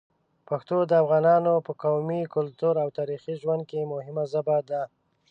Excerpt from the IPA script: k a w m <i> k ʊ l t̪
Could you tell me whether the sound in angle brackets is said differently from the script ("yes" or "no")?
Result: no